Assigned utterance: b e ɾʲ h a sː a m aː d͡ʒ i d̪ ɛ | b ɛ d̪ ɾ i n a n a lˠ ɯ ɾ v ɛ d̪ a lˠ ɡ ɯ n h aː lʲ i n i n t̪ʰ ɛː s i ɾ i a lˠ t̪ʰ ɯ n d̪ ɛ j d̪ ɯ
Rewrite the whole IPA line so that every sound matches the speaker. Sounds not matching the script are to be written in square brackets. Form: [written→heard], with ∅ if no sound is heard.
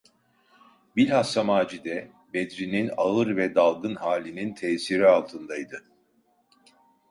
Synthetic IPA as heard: b [e→i] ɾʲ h a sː a m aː d͡ʒ i d̪ ɛ | b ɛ d̪ ɾ i n [a→i] n a [lˠ→∅] ɯ ɾ v ɛ d̪ a lˠ ɡ ɯ n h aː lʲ i n i n t̪ʰ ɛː s i ɾ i a lˠ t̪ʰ ɯ n d̪ [ɛ→a] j d̪ ɯ

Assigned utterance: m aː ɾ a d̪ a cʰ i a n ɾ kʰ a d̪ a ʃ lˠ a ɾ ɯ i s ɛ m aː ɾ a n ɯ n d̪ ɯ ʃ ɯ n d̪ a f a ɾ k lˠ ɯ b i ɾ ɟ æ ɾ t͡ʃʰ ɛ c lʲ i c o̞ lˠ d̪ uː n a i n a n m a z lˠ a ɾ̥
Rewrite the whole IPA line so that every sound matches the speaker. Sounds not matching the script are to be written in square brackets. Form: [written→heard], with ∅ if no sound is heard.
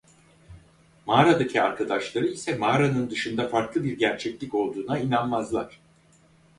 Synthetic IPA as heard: m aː ɾ a d̪ a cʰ i a [n→∅] ɾ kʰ a d̪ a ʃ lˠ a ɾ ɯ i s ɛ m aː ɾ a n ɯ n d̪ ɯ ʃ ɯ n d̪ a f a ɾ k lˠ ɯ b i ɾ ɟ æ ɾ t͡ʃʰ ɛ c lʲ i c o̞ lˠ d̪ uː n a i n a n m a z lˠ a ɾ̥

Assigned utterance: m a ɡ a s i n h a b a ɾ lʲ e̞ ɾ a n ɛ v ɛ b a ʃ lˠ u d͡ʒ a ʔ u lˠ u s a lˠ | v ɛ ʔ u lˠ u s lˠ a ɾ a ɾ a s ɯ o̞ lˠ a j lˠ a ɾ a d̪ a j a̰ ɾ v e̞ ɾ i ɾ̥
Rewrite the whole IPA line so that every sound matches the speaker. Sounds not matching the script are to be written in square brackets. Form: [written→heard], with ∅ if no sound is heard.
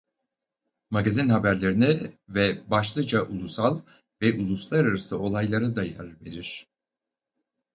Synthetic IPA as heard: m a ɡ a [s→z] i n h a b [a→æ] ɾ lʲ e̞ ɾ [a→i] n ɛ v ɛ b a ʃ lˠ [u→ɯ] d͡ʒ a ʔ u lˠ u s a lˠ | v ɛ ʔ u lˠ u s lˠ a ɾ a ɾ a s ɯ o̞ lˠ a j lˠ a ɾ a d̪ a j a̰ ɾ v e̞ ɾ i ɾ̥

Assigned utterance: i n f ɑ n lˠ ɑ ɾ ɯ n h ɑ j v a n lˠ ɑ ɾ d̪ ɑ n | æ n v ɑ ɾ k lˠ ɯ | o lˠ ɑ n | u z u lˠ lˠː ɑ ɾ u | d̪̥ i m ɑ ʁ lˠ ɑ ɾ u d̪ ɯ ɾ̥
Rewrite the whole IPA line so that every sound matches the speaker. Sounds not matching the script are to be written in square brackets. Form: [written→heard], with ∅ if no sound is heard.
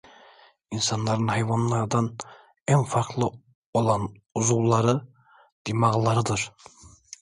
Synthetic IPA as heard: i n [f→s] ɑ n lˠ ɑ ɾ ɯ n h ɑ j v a n lˠ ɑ ɾ d̪ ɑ n | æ n [v→f] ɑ ɾ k lˠ ɯ | o lˠ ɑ n | u z u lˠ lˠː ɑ ɾ [u→ɯ] | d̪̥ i m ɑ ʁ lˠ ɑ ɾ [u→ɯ] d̪ ɯ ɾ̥

